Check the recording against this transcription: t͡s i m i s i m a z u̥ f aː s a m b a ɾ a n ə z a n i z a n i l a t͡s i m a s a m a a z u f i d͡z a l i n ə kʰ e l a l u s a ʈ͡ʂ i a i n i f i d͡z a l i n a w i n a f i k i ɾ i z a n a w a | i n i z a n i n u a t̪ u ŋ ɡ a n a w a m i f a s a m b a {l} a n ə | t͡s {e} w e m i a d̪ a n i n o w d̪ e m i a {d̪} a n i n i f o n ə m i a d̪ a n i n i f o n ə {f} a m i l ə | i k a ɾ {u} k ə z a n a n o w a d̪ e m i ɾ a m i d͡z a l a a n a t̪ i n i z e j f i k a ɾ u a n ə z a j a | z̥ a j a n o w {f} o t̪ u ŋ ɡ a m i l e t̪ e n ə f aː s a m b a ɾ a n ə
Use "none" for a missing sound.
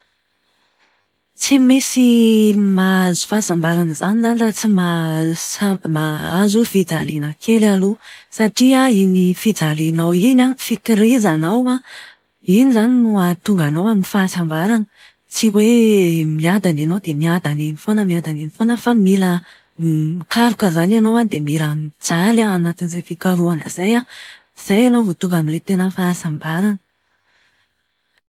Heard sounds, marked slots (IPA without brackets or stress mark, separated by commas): ɾ, i, d̪, f, u, v